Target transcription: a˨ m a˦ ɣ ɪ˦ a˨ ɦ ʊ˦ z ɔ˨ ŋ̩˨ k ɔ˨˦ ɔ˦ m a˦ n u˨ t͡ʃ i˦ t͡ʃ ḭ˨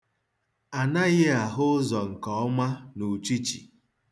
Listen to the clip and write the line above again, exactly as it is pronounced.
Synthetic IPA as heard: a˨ n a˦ ɣ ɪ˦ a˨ ɦ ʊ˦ z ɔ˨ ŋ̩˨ k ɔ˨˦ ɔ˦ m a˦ n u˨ t͡ʃ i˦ t͡ʃ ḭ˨